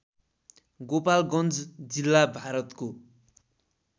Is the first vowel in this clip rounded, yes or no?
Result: yes